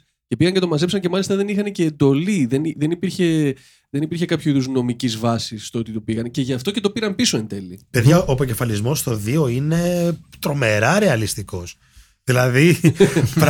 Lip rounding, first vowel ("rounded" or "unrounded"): unrounded